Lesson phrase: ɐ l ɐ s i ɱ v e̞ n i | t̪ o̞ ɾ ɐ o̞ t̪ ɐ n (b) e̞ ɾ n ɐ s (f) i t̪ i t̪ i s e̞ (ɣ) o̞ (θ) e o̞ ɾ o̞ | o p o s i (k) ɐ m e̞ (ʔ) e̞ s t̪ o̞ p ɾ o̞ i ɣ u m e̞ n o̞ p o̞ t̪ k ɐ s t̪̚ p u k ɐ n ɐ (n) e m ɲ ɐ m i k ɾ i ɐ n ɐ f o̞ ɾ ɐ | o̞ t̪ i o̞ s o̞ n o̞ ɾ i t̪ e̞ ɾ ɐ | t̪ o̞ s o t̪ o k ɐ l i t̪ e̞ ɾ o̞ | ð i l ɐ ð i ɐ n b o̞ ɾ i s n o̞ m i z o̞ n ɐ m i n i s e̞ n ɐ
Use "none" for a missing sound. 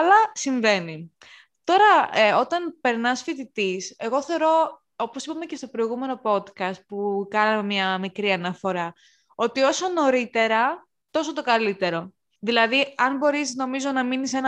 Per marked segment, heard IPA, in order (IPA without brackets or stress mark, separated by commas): p, f, ɣ, θ, p, c, m